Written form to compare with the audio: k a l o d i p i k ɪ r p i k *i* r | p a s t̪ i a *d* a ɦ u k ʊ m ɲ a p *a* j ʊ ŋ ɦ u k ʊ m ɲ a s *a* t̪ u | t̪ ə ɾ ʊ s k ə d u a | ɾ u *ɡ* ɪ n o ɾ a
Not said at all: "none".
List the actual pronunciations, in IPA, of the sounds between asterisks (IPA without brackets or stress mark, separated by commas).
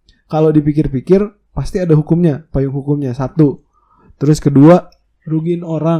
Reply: ɪ, d, a, a, ɡ